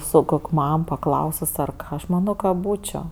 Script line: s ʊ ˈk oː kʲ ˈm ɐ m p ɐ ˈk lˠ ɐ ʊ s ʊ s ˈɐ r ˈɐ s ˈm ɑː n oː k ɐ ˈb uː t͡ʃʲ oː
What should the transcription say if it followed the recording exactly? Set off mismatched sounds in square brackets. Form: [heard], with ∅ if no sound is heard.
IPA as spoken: s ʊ ˈk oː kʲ ˈm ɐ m p ɐ ˈk lˠ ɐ ʊ s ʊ s ˈɐ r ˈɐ [ʃ] ˈm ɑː n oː k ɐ ˈb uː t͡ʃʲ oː